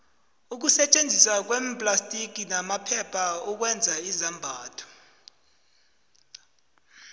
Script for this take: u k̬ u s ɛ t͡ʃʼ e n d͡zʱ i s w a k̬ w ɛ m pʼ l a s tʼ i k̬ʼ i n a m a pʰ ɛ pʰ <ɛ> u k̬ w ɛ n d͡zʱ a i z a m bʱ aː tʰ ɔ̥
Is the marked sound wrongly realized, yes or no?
yes